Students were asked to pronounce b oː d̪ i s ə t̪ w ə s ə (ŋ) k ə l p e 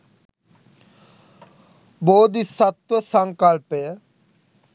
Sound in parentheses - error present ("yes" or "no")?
no